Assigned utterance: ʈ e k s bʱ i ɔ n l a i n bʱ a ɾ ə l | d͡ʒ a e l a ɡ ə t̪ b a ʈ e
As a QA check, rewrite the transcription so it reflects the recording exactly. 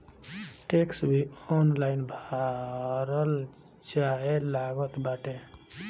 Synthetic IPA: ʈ e k s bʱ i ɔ n l a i n bʱ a ɾ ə l | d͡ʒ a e l a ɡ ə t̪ b a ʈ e